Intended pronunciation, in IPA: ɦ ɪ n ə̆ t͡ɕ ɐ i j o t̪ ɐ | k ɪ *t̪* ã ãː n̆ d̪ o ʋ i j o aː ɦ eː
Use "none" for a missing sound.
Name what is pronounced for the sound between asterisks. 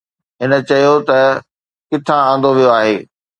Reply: t̪ʰ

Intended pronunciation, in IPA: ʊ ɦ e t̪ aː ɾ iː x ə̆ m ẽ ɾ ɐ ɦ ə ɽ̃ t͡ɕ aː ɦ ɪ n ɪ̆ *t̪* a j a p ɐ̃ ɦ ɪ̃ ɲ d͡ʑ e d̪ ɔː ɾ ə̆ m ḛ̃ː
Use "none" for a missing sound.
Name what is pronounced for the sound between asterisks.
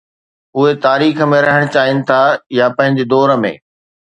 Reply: t̪ʰ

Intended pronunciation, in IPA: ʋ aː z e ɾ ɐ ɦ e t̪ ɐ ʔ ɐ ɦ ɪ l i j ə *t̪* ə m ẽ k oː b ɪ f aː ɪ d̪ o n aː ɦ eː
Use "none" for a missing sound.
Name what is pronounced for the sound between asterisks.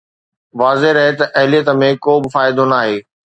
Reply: t̪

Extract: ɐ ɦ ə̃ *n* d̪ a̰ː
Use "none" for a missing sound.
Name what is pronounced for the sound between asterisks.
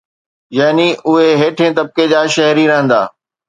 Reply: n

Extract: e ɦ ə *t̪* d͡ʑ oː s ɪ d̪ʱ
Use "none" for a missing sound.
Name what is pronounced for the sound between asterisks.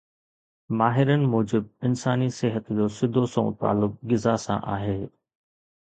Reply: t̪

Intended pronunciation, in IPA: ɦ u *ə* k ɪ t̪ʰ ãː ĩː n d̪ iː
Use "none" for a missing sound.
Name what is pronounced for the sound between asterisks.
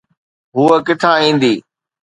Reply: ə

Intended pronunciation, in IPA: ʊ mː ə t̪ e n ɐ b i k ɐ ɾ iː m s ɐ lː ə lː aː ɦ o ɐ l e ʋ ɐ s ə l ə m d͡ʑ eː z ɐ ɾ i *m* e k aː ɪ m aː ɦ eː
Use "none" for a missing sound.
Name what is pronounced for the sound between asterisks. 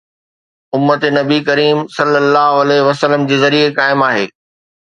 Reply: none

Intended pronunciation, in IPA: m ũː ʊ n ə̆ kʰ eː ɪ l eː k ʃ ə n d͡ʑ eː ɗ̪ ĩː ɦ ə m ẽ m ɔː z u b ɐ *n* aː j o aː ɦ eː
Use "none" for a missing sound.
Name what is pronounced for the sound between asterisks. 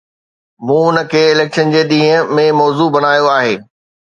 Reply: n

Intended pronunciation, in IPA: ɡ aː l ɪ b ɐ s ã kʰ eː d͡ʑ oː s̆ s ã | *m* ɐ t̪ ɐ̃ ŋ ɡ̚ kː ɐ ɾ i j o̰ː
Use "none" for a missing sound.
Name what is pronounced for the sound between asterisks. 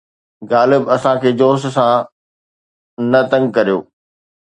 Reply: n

